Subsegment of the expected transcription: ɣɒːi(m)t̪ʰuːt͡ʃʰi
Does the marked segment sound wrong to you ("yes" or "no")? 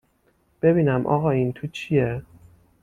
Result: yes